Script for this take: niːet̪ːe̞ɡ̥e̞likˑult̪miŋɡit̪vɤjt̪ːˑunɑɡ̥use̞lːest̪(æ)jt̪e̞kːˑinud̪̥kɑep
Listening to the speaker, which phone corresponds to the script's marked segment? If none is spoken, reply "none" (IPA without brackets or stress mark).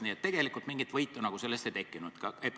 e